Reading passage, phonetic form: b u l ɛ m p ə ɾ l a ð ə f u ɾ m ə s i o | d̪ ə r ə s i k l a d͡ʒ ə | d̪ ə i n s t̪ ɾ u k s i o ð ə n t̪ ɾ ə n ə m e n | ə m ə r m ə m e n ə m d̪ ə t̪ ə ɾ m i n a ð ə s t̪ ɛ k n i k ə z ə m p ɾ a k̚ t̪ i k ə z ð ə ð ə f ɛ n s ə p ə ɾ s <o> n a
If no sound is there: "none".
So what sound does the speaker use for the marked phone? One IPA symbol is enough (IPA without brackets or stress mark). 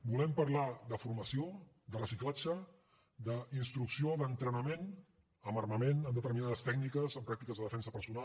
u